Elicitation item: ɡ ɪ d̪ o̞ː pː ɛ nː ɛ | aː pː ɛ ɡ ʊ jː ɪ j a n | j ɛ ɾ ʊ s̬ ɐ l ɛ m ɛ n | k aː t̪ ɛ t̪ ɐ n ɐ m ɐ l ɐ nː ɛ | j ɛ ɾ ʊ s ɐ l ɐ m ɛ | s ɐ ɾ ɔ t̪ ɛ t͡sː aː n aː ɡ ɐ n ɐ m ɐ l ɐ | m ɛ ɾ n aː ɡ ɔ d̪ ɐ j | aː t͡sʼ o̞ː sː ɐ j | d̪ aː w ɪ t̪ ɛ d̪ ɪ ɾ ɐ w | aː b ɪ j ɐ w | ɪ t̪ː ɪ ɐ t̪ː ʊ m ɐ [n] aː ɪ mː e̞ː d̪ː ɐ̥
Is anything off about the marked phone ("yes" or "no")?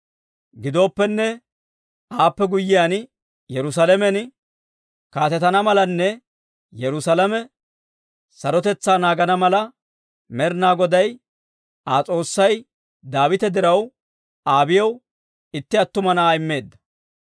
no